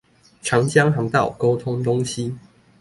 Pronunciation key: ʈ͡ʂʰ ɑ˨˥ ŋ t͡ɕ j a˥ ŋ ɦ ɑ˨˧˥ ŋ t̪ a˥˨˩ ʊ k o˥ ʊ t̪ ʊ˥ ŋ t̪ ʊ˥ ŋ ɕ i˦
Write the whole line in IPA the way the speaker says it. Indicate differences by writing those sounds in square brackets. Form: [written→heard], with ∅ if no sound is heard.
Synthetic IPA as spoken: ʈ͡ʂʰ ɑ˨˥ ŋ t͡ɕ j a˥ ŋ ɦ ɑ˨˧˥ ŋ t̪ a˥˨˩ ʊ k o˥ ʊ [t̪→t̪ʰ] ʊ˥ ŋ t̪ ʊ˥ ŋ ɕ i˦